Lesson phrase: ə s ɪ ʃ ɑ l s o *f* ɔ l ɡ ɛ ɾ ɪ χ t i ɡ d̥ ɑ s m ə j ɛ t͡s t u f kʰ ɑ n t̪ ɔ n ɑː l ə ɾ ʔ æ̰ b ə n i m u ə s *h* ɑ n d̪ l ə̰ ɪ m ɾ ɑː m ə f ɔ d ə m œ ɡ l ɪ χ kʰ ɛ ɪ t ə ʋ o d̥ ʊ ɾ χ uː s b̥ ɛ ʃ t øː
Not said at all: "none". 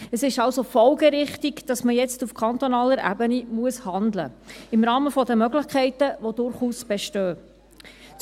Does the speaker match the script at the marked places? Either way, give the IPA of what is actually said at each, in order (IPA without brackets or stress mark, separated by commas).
f, h